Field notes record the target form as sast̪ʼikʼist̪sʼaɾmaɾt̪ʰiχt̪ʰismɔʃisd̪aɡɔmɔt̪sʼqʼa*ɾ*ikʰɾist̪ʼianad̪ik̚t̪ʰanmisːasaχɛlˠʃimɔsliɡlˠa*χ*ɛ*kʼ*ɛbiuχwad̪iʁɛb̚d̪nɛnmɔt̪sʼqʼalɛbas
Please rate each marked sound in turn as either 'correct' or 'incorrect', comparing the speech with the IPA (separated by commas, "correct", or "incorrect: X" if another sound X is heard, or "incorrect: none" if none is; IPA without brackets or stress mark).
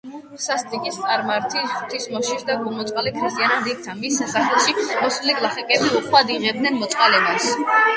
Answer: incorrect: l, correct, correct